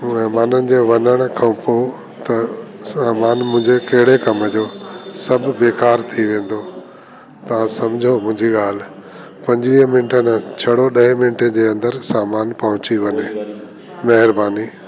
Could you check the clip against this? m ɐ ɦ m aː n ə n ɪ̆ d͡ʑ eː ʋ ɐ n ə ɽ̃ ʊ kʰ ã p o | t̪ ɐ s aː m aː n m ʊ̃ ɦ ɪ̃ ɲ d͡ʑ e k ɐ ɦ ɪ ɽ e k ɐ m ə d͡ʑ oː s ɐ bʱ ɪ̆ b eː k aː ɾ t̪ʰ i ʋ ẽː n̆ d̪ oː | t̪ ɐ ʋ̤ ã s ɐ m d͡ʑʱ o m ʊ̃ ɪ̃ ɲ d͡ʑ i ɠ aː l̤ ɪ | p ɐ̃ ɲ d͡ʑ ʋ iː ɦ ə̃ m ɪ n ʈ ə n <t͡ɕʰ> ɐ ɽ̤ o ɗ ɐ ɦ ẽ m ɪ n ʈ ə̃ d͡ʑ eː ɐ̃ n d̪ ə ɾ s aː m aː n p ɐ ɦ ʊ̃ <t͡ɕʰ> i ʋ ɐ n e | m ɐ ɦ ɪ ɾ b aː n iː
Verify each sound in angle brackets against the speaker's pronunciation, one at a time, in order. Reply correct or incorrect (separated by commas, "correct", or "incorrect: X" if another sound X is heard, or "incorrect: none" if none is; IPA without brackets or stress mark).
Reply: correct, incorrect: t͡ɕ